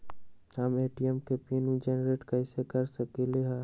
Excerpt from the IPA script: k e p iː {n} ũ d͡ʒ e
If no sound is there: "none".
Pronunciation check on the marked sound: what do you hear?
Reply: n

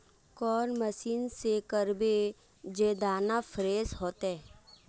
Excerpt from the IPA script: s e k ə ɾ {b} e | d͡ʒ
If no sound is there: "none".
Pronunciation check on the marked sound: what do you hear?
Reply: b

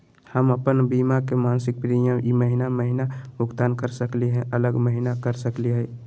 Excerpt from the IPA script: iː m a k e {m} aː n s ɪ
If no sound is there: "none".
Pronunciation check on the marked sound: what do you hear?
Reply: m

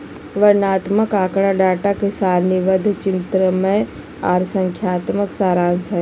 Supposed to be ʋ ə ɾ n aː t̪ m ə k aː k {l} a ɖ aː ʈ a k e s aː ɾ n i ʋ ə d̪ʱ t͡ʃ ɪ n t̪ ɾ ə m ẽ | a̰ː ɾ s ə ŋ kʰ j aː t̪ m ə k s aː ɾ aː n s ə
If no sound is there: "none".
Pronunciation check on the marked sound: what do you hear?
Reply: ɽ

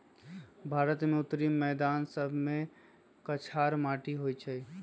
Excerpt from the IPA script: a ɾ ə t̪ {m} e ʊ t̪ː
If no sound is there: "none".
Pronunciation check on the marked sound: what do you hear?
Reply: m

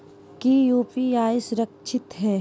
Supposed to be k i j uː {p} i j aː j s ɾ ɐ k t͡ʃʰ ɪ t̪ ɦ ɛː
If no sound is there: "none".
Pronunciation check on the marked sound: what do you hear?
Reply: p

